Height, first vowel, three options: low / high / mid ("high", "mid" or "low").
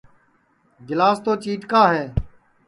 high